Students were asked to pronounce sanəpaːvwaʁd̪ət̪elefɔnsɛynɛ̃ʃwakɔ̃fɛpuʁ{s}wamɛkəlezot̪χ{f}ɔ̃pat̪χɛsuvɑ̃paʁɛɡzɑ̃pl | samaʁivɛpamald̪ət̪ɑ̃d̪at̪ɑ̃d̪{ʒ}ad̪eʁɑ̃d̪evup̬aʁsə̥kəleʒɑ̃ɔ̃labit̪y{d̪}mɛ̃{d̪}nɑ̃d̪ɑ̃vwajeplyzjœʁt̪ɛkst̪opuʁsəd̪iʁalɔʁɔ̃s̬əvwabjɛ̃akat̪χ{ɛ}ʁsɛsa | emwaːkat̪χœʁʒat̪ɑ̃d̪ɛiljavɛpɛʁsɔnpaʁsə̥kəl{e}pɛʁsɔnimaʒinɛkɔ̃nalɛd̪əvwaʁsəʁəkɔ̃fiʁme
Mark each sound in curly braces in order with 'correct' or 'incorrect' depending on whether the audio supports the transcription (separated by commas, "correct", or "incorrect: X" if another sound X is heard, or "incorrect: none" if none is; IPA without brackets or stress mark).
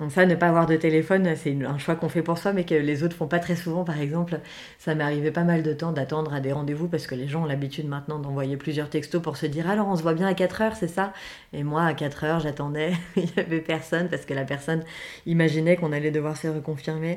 correct, correct, incorrect: ʁ, correct, incorrect: t̪, incorrect: œ, incorrect: a